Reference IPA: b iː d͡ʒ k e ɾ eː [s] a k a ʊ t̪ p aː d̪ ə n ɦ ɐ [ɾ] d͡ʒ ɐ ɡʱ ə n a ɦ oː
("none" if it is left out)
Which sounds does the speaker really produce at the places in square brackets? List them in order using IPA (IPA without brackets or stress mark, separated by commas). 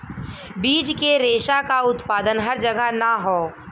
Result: ʃ, ɾ